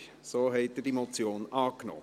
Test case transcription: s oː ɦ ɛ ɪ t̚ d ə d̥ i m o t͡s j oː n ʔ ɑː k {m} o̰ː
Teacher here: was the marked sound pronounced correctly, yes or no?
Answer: no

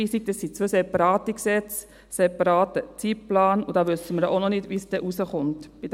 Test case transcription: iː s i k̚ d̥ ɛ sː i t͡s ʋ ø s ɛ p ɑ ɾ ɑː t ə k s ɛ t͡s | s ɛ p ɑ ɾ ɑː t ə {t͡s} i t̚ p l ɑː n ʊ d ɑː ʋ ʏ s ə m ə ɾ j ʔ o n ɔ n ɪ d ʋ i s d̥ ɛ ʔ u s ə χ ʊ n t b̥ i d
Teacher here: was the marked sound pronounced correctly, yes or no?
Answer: yes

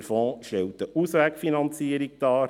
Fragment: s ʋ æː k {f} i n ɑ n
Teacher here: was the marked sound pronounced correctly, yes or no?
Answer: yes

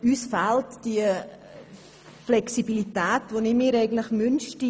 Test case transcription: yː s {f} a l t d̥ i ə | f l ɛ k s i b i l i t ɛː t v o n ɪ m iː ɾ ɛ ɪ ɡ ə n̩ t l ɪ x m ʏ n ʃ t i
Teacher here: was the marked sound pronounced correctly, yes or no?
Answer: yes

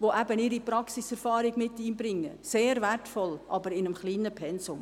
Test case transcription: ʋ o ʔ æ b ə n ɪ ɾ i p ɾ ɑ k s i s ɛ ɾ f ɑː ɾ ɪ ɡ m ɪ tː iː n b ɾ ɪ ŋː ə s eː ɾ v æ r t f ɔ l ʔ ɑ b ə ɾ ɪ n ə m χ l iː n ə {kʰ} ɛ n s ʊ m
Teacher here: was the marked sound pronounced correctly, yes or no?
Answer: no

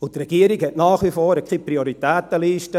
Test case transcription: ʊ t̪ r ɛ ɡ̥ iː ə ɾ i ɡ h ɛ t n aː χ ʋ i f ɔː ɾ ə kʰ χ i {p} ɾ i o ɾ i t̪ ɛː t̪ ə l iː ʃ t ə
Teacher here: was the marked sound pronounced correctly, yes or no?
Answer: yes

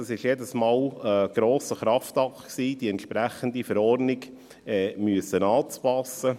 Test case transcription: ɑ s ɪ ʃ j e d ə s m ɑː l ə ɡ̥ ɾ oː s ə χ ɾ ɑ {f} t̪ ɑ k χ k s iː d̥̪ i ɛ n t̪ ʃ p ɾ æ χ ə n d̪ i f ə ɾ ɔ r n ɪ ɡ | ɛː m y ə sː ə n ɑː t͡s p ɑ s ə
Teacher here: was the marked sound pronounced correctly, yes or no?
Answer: yes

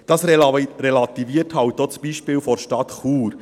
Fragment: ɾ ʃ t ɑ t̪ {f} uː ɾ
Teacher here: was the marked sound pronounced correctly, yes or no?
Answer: no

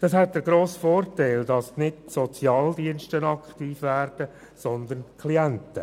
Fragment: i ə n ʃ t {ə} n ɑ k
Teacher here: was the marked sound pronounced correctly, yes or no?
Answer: yes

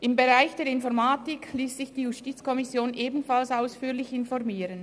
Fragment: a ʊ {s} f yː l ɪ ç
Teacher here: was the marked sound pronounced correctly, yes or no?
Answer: yes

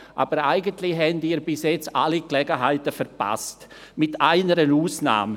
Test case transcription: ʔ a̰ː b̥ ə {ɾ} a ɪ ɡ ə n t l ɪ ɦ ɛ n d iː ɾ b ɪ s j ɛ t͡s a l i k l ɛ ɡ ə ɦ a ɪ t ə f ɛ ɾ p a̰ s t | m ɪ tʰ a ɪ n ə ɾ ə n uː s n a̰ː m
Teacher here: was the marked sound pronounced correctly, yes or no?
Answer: yes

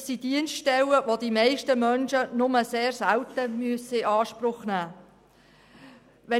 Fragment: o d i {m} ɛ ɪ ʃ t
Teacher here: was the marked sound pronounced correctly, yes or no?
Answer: yes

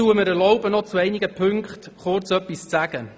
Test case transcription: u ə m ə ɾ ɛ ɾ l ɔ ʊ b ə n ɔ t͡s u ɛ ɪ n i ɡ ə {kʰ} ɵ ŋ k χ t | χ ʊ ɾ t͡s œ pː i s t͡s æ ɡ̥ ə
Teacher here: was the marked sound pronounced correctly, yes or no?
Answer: no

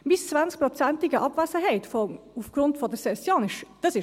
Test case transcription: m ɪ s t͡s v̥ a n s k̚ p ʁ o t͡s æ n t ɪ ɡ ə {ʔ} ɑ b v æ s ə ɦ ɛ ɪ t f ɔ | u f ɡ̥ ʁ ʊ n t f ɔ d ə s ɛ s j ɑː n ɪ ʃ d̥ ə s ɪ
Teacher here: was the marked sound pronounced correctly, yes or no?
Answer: yes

